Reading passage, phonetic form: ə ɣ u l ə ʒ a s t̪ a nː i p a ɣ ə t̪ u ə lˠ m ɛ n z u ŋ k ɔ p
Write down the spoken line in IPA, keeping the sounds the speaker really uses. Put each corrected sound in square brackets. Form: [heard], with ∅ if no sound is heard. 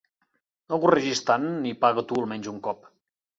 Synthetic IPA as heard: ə ɣ u [r] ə ʒ [i] s t̪ a nː i p a ɣ ə t̪ u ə lˠ m ɛ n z u ŋ k ɔ p